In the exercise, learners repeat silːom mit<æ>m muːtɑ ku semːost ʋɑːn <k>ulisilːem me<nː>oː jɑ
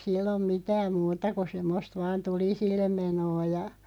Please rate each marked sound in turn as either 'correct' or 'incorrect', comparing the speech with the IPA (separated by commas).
incorrect, incorrect, incorrect